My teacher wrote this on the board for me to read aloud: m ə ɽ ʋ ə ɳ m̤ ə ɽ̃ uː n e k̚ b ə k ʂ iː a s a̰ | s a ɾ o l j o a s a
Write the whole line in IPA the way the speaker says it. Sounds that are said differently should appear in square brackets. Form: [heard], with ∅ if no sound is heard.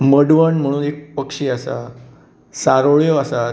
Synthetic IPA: m ə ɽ ʋ ə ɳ m̤ ə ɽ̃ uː n e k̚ [p] ə k ʂ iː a s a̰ | s a ɾ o [ɭ] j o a s a